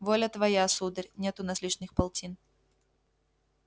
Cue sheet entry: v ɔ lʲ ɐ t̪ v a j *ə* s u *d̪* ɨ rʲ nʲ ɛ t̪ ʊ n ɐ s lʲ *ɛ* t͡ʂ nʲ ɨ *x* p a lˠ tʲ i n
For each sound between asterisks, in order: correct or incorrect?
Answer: incorrect: a, correct, incorrect: i, correct

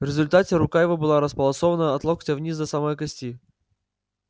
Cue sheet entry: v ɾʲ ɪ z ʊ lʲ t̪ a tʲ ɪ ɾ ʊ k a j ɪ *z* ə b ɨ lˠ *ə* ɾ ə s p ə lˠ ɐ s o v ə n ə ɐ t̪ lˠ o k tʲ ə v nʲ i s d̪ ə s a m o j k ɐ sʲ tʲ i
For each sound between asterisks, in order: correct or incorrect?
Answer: incorrect: v, incorrect: a

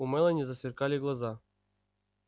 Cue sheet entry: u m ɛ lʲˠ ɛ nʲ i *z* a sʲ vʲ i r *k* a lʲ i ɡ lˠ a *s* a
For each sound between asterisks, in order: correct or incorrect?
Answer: correct, correct, incorrect: z

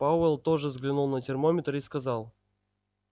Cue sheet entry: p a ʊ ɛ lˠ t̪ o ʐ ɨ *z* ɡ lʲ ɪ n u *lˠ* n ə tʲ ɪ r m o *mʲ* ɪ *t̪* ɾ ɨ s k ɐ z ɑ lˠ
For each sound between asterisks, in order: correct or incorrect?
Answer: correct, correct, correct, correct

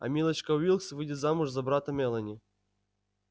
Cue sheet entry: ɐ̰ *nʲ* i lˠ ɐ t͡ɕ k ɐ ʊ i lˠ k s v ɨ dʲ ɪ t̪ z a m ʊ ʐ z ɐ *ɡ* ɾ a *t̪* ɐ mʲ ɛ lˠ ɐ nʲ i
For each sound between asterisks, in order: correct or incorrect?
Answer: incorrect: mʲ, incorrect: b, correct

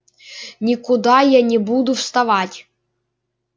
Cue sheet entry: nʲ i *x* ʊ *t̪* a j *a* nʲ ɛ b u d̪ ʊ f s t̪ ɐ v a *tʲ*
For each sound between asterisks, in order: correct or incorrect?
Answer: incorrect: k, incorrect: d̪, correct, correct

